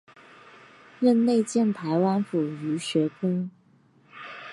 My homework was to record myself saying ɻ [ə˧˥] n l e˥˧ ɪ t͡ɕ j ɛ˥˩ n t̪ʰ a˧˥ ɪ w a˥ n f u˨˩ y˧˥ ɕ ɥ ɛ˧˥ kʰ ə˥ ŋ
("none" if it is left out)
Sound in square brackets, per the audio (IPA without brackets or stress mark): ə˥˧